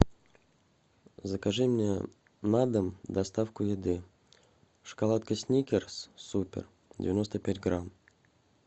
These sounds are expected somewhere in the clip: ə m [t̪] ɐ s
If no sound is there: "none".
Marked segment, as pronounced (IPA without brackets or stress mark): d̪